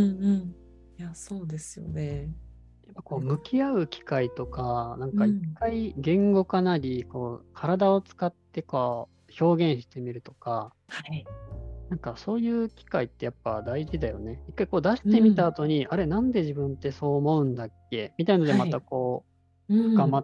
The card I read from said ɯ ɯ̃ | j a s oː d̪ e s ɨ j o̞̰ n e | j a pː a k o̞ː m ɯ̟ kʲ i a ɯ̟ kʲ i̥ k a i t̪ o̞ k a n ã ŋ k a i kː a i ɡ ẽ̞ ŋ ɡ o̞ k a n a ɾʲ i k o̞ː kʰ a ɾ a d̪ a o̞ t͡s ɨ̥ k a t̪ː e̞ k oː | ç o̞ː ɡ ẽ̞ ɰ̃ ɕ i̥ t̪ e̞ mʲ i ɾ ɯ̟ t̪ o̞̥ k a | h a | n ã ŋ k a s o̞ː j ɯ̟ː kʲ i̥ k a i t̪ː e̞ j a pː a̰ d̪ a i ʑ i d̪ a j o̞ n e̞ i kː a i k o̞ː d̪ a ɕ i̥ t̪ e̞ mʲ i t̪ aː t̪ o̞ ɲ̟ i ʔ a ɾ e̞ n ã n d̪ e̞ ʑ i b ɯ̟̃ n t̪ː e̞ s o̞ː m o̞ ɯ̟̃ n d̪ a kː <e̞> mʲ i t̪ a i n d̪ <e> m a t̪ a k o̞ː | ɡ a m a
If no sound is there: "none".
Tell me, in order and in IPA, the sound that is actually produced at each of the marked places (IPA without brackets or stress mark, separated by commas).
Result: e̞, e